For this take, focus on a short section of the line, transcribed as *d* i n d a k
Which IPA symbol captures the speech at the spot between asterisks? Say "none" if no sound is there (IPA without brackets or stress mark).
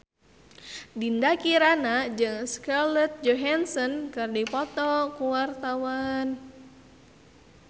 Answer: d